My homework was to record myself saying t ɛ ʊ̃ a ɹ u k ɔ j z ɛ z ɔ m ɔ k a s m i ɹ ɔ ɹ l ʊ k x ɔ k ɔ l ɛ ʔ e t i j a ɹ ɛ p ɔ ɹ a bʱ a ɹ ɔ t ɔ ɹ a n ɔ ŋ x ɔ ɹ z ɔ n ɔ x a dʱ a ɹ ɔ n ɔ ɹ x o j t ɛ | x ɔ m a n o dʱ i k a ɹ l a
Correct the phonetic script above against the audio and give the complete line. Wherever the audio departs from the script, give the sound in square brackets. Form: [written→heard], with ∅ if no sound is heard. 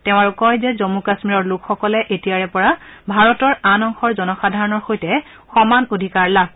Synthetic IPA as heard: t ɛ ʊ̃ a ɹ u k ɔ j z ɛ z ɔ m [ɔ→u] k a s m i ɹ ɔ ɹ l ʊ k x ɔ k ɔ l ɛ ʔ e t i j a ɹ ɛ p ɔ ɹ a bʱ a ɹ ɔ t ɔ ɹ a n ɔ ŋ x ɔ ɹ z ɔ n ɔ x a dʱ a ɹ ɔ n ɔ ɹ x o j t ɛ | x ɔ m a n o dʱ i k a ɹ l a